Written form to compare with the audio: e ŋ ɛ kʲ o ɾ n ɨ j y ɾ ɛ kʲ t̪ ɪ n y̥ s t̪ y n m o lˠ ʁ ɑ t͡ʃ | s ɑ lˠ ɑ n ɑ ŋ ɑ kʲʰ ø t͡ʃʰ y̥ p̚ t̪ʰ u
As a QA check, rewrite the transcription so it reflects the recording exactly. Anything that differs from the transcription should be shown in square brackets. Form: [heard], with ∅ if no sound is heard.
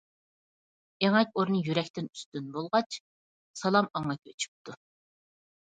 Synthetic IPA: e ŋ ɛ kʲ o ɾ n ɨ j y ɾ ɛ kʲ t̪ ɪ n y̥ s t̪ y n [b] o lˠ ʁ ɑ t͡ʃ | s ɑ lˠ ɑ [m] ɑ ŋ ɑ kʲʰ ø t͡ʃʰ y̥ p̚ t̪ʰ u